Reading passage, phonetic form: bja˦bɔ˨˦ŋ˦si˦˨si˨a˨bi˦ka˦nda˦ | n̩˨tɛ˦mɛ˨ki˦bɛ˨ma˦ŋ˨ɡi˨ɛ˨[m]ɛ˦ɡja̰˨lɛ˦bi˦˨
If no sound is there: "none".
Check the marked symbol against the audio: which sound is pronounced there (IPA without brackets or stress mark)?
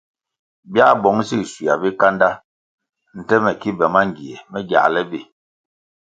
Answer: m